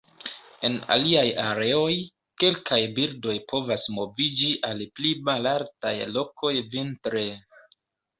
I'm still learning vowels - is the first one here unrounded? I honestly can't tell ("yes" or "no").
yes